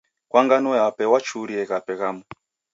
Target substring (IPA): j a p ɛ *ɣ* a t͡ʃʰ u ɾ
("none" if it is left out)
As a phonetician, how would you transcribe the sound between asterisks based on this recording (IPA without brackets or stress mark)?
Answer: w